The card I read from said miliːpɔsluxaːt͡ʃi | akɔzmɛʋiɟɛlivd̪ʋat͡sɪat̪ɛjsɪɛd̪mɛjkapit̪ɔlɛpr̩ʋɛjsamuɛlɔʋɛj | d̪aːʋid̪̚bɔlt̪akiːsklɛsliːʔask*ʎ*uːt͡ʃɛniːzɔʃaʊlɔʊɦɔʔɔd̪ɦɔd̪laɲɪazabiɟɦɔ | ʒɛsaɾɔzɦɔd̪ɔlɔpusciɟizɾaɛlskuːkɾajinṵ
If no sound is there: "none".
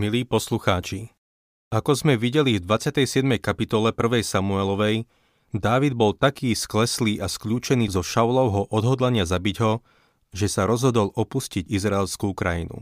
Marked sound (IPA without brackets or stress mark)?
ʎ